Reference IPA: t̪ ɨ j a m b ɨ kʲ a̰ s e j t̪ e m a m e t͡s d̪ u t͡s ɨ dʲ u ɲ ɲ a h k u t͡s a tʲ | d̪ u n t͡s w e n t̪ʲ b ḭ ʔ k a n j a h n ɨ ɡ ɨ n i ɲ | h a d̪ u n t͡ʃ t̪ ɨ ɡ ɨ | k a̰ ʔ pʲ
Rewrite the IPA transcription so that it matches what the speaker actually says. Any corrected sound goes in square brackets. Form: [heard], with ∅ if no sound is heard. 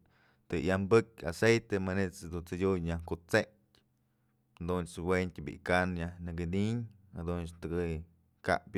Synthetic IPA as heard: t̪ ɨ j a m b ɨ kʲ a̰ s e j t̪ e m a [n] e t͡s d̪ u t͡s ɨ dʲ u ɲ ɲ a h k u t͡s [e] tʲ | d̪ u n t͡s w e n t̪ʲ b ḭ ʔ k a n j a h n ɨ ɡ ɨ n i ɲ | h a d̪ u n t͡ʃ t̪ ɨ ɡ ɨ | k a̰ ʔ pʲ